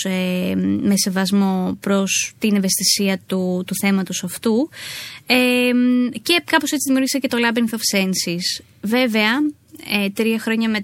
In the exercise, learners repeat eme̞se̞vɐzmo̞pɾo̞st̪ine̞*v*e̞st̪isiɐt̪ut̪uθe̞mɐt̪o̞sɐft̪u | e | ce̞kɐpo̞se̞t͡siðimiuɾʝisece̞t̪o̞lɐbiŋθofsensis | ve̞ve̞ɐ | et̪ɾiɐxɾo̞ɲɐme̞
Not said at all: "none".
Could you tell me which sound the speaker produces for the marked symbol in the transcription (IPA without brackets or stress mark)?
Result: v